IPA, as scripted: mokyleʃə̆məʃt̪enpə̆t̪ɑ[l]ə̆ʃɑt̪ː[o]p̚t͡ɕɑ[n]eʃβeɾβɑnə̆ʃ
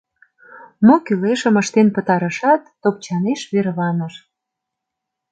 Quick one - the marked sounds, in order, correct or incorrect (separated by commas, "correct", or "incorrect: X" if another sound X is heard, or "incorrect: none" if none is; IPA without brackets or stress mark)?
incorrect: ɾ, correct, correct